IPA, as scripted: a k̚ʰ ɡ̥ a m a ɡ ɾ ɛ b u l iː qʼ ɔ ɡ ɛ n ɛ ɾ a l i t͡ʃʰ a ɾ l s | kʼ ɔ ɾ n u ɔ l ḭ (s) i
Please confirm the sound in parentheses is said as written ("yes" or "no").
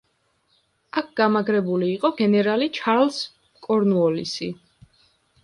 yes